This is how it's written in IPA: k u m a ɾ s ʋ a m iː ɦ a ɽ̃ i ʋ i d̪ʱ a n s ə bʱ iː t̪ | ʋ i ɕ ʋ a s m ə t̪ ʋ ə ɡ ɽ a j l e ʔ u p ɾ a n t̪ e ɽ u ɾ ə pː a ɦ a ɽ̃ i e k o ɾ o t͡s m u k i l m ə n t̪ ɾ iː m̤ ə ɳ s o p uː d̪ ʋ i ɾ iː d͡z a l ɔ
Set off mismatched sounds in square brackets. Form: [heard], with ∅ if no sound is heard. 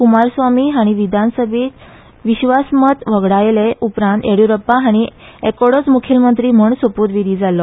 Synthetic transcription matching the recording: k u m a ɾ s ʋ a m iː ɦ a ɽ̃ i ʋ i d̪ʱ a n s ə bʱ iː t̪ | ʋ i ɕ ʋ a s m ə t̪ ʋ ə ɡ ɽ a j l e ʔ u p ɾ a n t̪ e ɽ u ɾ ə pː a ɦ a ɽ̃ i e k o [ɽ] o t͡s m u [kʰ] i l m ə n t̪ ɾ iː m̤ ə ɳ s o p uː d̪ ʋ i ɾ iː d͡z a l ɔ